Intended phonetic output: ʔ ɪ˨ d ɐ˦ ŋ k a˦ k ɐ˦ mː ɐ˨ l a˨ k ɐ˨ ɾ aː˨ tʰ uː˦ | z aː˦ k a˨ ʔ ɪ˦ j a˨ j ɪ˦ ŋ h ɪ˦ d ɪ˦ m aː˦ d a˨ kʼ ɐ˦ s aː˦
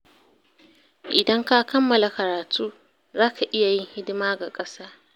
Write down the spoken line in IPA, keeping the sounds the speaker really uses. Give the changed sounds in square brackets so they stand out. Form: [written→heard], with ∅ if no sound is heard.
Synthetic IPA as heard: ʔ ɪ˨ d ɐ˦ ŋ k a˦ k ɐ˦ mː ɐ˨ l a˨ k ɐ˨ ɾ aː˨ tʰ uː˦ | z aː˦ k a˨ ʔ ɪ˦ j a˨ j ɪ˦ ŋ h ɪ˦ d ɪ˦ m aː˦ [d→ɡ] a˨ kʼ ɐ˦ s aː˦